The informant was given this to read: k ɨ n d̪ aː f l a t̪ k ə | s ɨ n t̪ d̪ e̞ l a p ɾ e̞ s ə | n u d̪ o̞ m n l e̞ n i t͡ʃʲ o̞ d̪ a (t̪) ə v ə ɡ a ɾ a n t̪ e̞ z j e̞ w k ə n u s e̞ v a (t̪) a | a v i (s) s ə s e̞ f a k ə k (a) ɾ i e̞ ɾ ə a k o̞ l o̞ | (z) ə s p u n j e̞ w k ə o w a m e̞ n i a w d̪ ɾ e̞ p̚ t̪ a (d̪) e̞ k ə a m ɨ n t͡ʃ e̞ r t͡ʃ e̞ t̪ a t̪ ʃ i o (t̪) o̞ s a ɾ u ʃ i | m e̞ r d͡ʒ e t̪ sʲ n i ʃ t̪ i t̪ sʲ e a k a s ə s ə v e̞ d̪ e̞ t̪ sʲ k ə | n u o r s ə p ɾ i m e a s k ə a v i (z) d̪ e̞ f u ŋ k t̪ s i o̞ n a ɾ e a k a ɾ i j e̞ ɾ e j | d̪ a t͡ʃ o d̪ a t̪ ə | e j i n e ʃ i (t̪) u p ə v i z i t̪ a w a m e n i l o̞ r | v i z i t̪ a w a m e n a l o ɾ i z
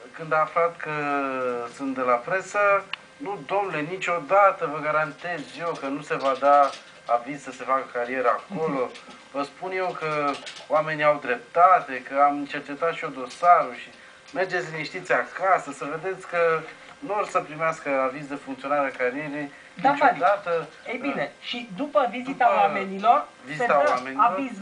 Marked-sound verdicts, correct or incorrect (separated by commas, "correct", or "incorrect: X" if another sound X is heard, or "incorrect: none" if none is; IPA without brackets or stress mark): correct, incorrect: d̪, incorrect: z, correct, incorrect: v, incorrect: t̪, incorrect: d̪, correct, incorrect: d̪